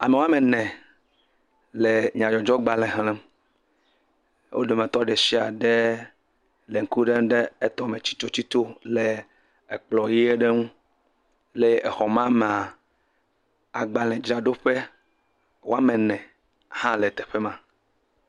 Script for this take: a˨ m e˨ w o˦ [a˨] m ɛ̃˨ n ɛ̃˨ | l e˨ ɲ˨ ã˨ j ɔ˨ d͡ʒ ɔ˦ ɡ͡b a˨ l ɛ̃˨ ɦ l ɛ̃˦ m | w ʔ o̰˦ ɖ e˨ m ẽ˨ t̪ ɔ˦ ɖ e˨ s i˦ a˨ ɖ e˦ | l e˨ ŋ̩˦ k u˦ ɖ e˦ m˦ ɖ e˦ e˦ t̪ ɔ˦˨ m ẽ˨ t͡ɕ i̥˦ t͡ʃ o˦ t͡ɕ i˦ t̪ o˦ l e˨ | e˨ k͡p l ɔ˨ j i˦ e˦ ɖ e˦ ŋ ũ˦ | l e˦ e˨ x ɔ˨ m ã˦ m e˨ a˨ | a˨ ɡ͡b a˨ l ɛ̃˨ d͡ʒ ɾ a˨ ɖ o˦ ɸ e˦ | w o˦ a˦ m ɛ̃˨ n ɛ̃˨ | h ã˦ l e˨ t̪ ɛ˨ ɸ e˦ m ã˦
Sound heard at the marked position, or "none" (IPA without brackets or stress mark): a˦